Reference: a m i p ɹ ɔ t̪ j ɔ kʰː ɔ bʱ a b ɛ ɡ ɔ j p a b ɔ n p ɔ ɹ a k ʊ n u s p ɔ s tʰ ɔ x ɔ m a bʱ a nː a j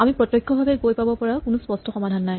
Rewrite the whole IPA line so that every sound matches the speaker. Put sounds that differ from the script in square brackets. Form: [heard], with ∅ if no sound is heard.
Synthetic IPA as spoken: a m i p ɹ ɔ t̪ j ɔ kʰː ɔ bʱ a b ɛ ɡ [o] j p a b ɔ [∅] p ɔ ɹ a k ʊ n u s p ɔ s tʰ ɔ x ɔ m a [dʱ] a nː a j

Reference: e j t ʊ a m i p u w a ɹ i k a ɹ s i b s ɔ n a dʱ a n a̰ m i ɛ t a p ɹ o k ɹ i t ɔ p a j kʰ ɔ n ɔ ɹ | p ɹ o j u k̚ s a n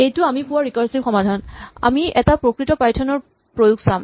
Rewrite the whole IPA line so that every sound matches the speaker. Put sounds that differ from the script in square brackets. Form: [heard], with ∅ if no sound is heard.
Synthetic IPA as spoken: e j t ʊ a m i p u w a ɹ i k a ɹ s i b [x] ɔ [m] a dʱ a n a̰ m i ɛ t a p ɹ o k ɹ i t ɔ p a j [tʰ] ɔ n ɔ ɹ | p ɹ o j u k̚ s a [m]

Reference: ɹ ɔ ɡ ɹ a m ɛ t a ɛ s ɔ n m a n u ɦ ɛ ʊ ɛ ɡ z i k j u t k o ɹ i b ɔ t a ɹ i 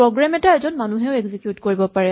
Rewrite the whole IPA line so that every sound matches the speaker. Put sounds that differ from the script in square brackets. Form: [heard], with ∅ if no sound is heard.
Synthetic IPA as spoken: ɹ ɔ ɡ ɹ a m ɛ t a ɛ [z] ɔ n m a n u ɦ ɛ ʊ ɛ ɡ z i k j u t k o ɹ i b ɔ [p] a ɹ [ɛ]

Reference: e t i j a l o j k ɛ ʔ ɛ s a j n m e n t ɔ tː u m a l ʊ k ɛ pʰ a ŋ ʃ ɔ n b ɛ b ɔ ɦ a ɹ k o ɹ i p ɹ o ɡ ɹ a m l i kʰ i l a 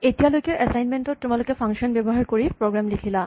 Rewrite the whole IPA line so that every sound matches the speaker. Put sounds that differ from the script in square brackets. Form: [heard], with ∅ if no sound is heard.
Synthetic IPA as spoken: e t i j a l o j k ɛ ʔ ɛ s a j n m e n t ɔ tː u m a l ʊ k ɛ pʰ a ŋ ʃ ɔ n b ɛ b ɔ ɦ a ɹ k o ɹ i p ɹ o ɡ ɹ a m l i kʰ i l a

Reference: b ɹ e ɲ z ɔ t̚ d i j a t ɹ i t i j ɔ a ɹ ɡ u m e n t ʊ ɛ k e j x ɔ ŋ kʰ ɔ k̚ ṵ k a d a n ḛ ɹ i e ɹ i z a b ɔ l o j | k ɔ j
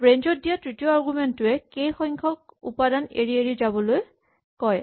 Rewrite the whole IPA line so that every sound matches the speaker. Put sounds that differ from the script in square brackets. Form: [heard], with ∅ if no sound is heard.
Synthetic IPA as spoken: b ɹ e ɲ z ɔ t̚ d i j a t ɹ i t i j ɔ a ɹ ɡ u m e n t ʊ ɛ k e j x ɔ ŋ kʰ ɔ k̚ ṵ [p] a d a n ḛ ɹ i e ɹ i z a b ɔ l o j | k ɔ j

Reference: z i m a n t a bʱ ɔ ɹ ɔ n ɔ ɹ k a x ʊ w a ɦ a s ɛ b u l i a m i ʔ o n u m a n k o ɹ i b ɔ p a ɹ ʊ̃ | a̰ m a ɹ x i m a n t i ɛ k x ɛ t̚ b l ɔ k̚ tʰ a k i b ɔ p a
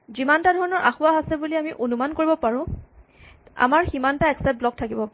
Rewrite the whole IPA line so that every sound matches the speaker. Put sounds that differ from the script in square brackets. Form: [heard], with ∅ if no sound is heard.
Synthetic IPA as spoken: z i m a n t a [dʱ] ɔ ɹ ɔ n ɔ ɹ [ʔ] a x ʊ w a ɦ a s ɛ b u l i a m i ʔ o n u m a n k o ɹ i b ɔ p a ɹ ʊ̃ | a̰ m a ɹ x i m a n t [a] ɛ k [s] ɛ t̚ b l ɔ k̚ tʰ a k i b ɔ p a

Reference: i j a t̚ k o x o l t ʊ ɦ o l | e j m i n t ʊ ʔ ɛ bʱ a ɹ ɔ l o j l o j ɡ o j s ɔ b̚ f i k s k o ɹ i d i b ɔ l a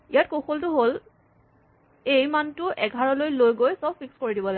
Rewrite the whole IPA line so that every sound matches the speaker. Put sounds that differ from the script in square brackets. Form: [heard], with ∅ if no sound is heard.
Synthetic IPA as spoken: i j a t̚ k o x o l t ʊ ɦ o l | e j m [a] n t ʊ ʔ ɛ [ɡʱ] a ɹ ɔ l o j l o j ɡ o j s ɔ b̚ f i k s k o ɹ i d i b ɔ l a

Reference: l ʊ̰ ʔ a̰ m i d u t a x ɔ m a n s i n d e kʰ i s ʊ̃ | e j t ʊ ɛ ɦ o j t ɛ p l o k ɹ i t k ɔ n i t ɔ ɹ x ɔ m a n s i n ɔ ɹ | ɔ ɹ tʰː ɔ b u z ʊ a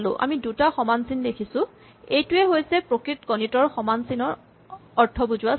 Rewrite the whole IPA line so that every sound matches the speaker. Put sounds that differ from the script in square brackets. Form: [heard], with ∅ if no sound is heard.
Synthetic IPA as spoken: l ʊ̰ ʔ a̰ m i d u t a x ɔ m a n s i n d e kʰ i s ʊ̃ | e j t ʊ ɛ ɦ o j [s] ɛ p [ɹ] o k ɹ i t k ɔ n i t ɔ ɹ x ɔ m a n s i n ɔ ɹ | ɔ ɹ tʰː ɔ b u z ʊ a

